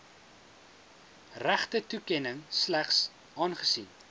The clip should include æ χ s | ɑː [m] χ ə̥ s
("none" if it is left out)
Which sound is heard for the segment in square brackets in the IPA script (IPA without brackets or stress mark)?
n